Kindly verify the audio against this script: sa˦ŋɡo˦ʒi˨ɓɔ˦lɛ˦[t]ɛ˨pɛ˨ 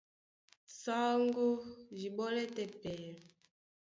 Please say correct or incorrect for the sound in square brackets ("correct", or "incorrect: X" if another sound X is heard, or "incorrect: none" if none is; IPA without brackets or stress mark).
correct